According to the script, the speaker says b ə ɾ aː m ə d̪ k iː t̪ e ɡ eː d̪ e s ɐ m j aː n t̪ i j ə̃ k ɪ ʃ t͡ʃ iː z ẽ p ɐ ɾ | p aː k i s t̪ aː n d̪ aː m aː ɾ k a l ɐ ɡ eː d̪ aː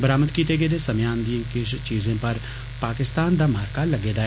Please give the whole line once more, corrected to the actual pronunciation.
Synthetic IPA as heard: b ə ɾ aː m ə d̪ k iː t̪ e ɡ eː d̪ e s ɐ m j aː n d̪ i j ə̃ k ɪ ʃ t͡ʃ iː z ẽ p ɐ ɾ | p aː k ɪ s t̪ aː n d̪ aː m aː ɾ k a l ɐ ɡ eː d̪ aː